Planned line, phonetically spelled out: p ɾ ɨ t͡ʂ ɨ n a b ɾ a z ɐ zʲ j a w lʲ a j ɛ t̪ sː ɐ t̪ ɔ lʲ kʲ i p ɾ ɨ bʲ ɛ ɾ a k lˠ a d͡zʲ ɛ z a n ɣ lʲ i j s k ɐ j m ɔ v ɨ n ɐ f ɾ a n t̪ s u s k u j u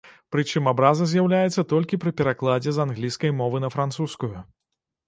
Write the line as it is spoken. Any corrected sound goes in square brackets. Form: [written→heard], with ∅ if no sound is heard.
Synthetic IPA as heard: p ɾ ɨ t͡ʂ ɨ [n→m] a b ɾ a z ɐ zʲ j a w lʲ a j ɛ t̪ sː ɐ t̪ ɔ lʲ kʲ i p ɾ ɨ [bʲ→pʲ] ɛ ɾ a k lˠ a d͡zʲ ɛ z a n ɣ lʲ i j s k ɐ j m ɔ v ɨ n ɐ f ɾ a n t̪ s u s k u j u